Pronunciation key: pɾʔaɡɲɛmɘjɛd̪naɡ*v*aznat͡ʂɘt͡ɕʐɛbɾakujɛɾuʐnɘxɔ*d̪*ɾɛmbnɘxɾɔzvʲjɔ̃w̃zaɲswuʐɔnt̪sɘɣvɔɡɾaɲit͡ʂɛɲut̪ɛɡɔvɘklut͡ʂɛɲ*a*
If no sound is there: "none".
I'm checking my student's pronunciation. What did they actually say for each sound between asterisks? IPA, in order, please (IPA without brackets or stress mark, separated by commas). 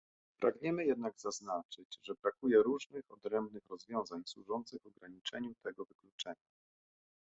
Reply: z, d̪, a